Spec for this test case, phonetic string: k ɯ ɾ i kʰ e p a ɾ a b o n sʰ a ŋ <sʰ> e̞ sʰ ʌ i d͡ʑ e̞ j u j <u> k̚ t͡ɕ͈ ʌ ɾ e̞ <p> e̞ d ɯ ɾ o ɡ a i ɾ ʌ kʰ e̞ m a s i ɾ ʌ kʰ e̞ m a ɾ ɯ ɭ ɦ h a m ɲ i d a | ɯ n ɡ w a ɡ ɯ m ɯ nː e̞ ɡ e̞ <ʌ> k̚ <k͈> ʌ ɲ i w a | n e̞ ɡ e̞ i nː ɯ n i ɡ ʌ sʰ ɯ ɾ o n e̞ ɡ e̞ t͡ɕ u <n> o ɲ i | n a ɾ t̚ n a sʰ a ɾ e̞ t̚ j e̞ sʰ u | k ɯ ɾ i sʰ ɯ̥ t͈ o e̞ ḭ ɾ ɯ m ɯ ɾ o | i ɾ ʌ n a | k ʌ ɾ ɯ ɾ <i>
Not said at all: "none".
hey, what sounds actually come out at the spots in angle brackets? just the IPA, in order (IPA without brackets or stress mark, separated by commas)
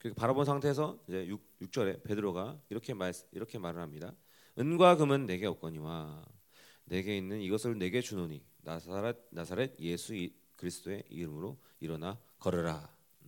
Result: tʰ, u, p, ʌ, k͈, n, a